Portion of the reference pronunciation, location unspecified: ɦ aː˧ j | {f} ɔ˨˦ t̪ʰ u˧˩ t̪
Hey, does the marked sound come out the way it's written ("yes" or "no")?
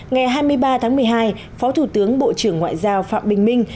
yes